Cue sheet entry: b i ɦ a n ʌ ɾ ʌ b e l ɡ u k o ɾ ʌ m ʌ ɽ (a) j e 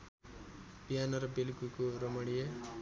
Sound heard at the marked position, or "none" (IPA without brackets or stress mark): i